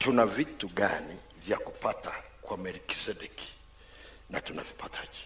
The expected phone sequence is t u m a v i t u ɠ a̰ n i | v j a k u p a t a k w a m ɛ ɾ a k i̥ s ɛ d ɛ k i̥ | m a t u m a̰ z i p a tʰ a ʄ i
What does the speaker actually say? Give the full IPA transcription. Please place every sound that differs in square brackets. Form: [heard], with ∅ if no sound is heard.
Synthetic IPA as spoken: t u [n] a v i t u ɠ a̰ n i | v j a k u p a t a k w a m ɛ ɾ [i] k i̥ s ɛ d ɛ k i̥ | [n] a t u [n] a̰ [v] i p a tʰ a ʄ i